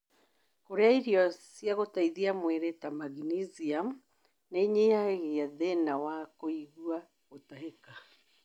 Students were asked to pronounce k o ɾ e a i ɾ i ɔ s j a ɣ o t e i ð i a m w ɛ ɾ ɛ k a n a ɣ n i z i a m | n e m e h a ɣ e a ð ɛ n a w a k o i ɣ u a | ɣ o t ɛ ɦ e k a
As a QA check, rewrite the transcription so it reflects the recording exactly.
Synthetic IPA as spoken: k o ɾ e a i ɾ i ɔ s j a ɣ o t a i ð i a m w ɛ ɾ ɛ t a m a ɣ n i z i a m | n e ɲ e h a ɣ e a ð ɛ n a w a k o i ɣ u a | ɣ o t a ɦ e k a